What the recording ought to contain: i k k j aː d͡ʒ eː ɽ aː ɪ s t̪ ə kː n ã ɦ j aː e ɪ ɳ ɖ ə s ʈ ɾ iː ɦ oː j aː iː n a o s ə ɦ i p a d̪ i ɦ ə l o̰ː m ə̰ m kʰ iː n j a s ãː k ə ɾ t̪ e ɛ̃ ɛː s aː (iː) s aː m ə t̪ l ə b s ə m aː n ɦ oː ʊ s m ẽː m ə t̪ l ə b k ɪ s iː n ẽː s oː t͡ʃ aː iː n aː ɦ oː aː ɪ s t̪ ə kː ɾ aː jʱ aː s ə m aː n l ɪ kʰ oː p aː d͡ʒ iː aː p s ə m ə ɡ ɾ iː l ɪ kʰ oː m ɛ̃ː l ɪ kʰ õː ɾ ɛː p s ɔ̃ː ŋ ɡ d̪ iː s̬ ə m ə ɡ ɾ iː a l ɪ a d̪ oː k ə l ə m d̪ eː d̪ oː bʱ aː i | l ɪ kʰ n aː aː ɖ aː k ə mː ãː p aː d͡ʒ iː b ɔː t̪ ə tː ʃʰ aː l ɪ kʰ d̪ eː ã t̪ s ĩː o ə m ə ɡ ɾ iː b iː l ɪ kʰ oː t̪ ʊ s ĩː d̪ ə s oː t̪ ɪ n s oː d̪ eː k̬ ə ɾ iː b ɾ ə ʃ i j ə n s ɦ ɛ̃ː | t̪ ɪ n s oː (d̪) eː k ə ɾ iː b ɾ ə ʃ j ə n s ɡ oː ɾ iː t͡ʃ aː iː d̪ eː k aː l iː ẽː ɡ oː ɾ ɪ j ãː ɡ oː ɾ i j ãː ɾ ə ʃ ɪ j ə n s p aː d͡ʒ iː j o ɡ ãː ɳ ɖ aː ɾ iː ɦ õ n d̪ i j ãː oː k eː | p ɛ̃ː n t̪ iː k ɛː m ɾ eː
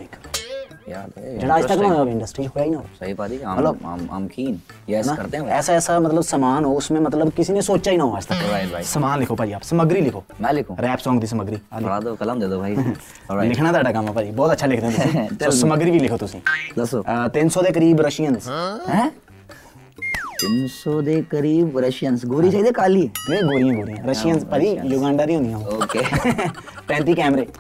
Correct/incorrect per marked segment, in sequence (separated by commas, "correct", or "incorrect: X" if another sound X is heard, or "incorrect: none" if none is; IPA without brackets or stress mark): incorrect: ɛː, correct